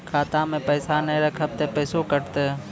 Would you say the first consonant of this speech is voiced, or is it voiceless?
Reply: voiceless